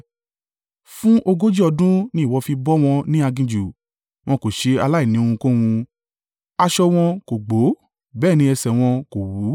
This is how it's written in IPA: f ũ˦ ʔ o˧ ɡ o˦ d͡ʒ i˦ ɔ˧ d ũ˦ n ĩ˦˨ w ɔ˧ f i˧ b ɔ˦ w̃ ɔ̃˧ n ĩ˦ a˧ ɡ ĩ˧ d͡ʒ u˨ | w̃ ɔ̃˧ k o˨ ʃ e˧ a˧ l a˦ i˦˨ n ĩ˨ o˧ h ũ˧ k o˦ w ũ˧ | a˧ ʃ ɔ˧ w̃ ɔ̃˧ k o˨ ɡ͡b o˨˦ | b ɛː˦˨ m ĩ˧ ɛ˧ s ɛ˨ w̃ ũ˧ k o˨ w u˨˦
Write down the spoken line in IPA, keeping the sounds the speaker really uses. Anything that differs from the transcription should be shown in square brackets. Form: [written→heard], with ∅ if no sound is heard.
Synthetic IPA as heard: f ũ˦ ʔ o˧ ɡ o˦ d͡ʒ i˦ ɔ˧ d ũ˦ n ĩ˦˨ w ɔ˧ f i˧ b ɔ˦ w̃ ɔ̃˧ n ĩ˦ a˧ ɡ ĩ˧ d͡ʒ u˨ | w̃ ɔ̃˧ k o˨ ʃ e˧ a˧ l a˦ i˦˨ n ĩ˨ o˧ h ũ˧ k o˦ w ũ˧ | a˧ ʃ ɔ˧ w̃ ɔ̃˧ k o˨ ɡ͡b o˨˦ | b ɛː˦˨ [m→n] ĩ˧ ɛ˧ s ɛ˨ w̃ [ũ˧→ɔ̃˧] k o˨ w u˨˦